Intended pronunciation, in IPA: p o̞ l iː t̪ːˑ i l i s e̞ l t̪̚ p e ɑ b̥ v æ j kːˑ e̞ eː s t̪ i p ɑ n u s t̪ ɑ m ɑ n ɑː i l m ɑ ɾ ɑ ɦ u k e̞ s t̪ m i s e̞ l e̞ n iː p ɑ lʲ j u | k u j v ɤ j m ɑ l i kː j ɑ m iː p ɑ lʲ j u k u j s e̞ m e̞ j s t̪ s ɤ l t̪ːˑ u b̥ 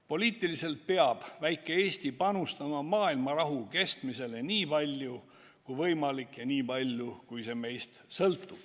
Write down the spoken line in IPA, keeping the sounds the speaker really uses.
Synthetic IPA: p o̞ l iː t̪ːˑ i l i s e̞ l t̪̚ p e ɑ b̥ v æ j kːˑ e̞ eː s t̪ i p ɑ n u s t̪ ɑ m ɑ m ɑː i l m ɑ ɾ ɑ ɦ u k e̞ s t̪ m i s e̞ l e̞ n iː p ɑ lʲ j u | k u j v ɤ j m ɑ l i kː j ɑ n iː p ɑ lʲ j u k u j s e̞ m e̞ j s t̪ s ɤ l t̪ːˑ u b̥

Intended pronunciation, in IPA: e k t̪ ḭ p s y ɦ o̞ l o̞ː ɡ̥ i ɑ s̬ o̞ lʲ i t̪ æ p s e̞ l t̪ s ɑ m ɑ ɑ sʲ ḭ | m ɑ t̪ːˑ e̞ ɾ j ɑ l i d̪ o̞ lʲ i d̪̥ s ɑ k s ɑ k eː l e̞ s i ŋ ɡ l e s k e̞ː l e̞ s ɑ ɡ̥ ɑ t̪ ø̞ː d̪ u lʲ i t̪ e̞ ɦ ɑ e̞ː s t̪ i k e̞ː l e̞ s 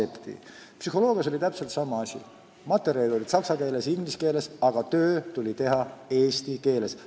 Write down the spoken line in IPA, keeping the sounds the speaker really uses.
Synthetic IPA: e p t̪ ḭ p s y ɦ o̞ l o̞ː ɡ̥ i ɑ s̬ o̞ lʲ i t̪ æ p s e̞ l t̪ s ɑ m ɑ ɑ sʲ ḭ | m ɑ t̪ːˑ e̞ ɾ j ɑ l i d̪ o̞ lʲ i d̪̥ s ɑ k s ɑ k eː l e̞ s i ŋ ɡ l i s k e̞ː l e̞ s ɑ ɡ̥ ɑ t̪ ø̞ː t̪ u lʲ i t̪ e̞ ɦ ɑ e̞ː s t̪ i k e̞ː l e̞ s

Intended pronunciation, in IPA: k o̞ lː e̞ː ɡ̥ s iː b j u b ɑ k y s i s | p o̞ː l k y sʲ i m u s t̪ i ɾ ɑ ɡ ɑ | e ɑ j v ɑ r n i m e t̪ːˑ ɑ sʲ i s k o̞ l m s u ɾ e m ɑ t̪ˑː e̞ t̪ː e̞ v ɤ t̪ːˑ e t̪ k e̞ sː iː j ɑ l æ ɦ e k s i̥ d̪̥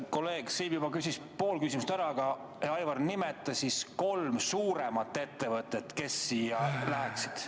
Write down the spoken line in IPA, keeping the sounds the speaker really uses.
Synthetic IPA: k o̞ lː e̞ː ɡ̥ s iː b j u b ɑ k y s i s | p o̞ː l k y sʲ i m u s t̪ æ ɾ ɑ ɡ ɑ | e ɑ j v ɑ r n i m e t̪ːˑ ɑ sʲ i s k o̞ l m s uː ɾ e m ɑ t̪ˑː e̞ t̪ː e̞ v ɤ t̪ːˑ e t̪ k e̞ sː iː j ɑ l æ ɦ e k s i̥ d̪̥

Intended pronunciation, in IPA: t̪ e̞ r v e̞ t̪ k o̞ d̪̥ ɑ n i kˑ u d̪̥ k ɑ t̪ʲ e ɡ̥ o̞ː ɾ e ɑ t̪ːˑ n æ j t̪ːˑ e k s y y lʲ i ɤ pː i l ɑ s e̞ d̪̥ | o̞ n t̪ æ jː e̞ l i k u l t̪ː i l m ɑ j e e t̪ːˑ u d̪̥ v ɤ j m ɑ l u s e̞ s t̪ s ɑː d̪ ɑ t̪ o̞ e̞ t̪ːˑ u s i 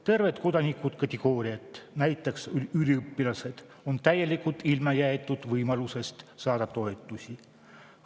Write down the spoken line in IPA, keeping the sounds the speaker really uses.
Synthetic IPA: t̪ e̞ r v e̞ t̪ k o̞ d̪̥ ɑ n i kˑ u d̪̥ k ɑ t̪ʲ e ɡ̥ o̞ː ɾ i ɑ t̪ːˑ n æ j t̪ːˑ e k s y y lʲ i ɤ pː i l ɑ s e̞ d̪̥ | o̞ n t̪ æ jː e̞ l i k u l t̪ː i l m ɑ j æ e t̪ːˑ u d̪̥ v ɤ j m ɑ l u s e̞ s t̪ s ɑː d̪ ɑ t̪ o̞ e̞ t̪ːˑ u s i

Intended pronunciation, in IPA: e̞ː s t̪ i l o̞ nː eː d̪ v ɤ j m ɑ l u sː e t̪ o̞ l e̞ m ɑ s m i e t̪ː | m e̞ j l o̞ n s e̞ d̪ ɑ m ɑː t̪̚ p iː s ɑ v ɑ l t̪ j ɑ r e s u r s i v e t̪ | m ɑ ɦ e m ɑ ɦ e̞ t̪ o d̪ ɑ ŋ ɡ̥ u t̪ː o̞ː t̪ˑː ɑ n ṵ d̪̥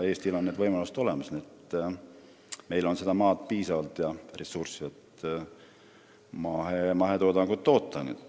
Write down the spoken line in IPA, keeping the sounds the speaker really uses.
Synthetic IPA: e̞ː s t̪ i l o̞ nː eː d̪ v ɤ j m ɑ l u s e t̪ o̞ l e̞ m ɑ s n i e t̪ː | m e̞ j l o̞ n s e̞ d̪ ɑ m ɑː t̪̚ p iː s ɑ v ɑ l t̪ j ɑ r e s u r s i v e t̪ | m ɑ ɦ e m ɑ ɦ e̞ t̪ o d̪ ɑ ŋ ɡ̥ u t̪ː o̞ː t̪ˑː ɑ n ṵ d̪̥

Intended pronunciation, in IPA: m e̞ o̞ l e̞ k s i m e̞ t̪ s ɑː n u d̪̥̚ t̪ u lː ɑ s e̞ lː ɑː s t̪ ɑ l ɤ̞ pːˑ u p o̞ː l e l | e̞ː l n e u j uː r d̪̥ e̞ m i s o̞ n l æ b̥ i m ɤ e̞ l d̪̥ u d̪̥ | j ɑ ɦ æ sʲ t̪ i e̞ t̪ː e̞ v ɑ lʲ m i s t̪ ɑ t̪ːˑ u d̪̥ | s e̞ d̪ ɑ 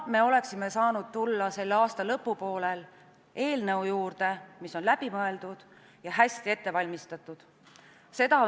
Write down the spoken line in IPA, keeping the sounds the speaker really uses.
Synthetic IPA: m e̞ o̞ l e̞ k s i m e̞ s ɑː n u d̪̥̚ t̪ u lː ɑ s e̞ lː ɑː s t̪ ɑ l ɤ̞ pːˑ u p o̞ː l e l | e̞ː l n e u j uː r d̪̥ e̞ m i s o̞ n l æ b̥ i m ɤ e̞ l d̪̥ u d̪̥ | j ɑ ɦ æ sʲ t̪ i e̞ t̪ː e̞ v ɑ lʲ m i s t̪ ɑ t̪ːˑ u d̪̥ | s e̞ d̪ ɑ

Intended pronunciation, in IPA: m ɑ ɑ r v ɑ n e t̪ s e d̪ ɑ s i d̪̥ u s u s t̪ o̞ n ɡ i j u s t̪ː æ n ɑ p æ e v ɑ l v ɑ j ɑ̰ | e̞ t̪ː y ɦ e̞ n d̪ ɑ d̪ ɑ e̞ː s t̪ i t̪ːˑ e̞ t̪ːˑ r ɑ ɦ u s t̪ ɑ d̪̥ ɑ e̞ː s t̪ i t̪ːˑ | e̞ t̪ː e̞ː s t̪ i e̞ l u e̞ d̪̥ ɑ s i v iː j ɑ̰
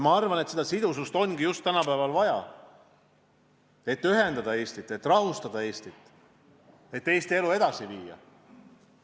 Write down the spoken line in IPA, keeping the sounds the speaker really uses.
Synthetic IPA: m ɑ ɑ r v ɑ n e t̪ s e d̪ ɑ s i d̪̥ u s u s t̪ o̞ n ɡ i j u s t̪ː æ n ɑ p æ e v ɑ l v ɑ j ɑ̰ | e̞ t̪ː y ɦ e̞ n d̪ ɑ d̪ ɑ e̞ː s t̪ i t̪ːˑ e̞ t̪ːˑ r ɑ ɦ u s t̪ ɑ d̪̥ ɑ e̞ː s t̪ i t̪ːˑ | e̞ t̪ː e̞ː s t̪ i e̞ l u e̞ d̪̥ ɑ s i v iː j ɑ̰

